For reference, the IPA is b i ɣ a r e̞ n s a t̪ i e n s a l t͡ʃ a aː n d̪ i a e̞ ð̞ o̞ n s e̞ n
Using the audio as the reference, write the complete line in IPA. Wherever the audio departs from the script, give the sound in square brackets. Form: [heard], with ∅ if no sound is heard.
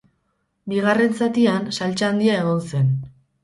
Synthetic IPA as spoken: b i ɣ a r e̞ n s a t̪ i [a] n s a l t͡ʃ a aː n d̪ i a e̞ [ɣ̞] o̞ n s e̞ n